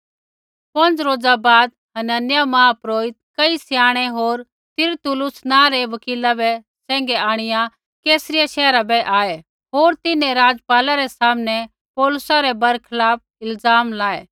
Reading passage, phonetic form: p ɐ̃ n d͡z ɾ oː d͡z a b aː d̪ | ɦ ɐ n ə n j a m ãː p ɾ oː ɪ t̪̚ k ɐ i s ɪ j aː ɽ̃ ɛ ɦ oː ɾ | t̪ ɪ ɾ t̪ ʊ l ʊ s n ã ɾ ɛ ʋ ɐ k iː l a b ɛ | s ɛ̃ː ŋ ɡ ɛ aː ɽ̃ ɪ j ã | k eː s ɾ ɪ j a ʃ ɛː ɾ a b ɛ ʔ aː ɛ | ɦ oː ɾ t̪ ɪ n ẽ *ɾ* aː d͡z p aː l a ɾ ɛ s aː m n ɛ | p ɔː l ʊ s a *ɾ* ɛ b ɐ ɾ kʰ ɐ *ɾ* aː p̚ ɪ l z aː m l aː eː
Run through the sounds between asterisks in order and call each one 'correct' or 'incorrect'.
correct, correct, incorrect

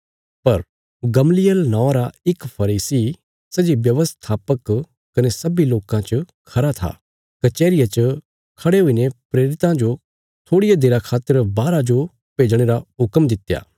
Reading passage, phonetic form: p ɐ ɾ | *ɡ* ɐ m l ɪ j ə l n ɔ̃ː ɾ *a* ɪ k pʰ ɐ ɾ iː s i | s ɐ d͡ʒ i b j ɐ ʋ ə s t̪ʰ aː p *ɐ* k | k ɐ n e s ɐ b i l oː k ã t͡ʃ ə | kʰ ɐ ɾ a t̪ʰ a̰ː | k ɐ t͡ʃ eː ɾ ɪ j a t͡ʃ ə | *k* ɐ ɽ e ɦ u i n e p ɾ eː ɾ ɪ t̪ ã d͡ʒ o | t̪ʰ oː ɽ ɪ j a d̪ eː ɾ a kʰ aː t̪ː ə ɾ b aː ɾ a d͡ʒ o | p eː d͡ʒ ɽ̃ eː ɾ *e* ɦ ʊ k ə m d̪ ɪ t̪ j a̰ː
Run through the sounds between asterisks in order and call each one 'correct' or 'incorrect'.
correct, correct, incorrect, incorrect, incorrect

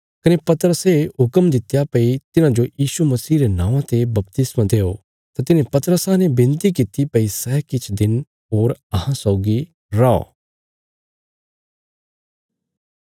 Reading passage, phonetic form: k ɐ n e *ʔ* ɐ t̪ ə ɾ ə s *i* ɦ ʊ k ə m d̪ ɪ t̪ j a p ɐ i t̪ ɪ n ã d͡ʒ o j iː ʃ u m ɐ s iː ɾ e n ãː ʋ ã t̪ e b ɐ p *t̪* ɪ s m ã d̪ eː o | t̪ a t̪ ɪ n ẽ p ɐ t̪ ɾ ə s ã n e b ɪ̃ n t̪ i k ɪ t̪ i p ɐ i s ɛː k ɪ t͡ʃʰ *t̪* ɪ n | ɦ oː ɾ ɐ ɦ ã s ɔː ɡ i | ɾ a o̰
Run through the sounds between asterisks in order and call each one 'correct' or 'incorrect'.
incorrect, incorrect, correct, incorrect

